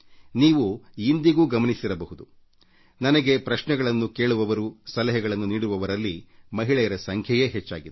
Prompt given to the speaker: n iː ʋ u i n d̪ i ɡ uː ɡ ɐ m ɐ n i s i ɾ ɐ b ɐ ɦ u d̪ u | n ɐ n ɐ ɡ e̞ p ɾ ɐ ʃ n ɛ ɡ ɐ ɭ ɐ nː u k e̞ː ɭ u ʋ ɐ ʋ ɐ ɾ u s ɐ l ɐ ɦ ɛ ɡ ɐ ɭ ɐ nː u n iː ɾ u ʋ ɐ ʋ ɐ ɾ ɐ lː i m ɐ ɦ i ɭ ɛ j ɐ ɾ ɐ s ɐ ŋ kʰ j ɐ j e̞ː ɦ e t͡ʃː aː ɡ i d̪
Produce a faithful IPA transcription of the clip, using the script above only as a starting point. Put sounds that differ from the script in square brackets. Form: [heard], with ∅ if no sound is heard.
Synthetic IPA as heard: n iː ʋ u i n d̪ i ɡ uː ɡ ɐ m ɐ n i s i ɾ ɐ b ɐ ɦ u d̪ u | n ɐ n ɐ ɡ e̞ p ɾ ɐ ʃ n ɛ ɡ ɐ ɭ ɐ nː u k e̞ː ɭ u ʋ ɐ ʋ ɐ ɾ u s ɐ l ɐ ɦ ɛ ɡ ɐ ɭ ɐ nː u n iː [ɽ] u ʋ ɐ ʋ ɐ ɾ ɐ lː i m ɐ ɦ i ɭ ɛ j ɐ ɾ ɐ s ɐ ŋ kʰ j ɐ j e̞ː ɦ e t͡ʃː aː ɡ i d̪